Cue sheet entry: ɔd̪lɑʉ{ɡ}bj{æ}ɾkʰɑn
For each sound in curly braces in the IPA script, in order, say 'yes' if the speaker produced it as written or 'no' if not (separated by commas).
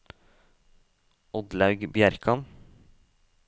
yes, yes